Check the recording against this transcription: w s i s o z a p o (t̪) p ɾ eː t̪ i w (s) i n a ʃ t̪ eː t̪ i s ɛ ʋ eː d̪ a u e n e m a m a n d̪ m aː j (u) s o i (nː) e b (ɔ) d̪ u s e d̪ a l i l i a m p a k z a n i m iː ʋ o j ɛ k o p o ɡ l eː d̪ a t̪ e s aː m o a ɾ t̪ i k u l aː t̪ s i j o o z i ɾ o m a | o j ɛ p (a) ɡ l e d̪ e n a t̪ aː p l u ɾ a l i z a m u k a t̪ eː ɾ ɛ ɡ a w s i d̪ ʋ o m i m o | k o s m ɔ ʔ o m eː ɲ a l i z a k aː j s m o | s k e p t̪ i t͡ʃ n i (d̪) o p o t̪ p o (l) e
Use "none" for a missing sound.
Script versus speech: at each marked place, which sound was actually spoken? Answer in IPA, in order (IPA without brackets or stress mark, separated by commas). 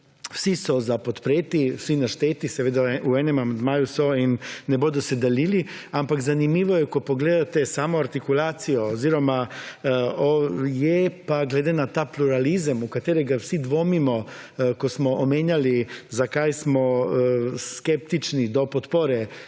t̪, s, u, nː, o, a, d̪, ɾ